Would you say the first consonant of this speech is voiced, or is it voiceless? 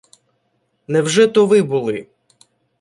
voiced